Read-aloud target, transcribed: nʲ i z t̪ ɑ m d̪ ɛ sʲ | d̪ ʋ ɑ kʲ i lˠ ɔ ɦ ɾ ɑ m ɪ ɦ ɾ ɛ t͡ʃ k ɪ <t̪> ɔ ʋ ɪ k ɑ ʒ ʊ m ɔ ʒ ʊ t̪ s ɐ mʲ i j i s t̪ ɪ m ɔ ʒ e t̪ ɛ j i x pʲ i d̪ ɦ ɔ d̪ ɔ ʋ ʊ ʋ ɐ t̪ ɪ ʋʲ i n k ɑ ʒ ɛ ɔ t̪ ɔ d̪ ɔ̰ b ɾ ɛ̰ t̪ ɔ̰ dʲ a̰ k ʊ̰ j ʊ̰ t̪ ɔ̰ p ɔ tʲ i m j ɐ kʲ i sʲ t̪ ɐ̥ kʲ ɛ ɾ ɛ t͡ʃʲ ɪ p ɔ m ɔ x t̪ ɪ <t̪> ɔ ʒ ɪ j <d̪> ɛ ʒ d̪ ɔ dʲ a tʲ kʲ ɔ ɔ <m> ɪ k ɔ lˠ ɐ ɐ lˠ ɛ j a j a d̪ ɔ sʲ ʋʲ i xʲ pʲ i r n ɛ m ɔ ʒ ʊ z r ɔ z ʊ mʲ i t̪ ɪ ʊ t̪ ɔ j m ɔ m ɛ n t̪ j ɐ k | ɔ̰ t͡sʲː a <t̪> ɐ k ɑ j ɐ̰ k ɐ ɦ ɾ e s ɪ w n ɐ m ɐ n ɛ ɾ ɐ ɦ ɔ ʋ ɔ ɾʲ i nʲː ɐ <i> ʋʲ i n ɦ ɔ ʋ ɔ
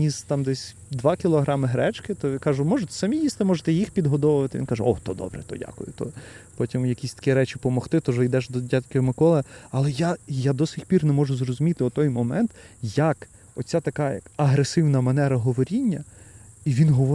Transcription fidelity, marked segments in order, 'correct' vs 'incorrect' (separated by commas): correct, correct, correct, correct, correct, correct